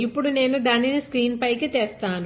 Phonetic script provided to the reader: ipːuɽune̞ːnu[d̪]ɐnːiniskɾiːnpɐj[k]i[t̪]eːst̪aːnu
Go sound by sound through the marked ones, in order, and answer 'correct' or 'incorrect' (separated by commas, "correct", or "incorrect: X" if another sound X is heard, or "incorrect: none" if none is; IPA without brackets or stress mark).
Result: correct, correct, correct